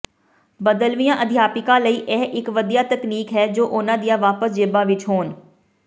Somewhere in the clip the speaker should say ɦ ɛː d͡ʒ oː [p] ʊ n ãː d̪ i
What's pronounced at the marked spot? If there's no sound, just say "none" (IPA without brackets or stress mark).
ʔ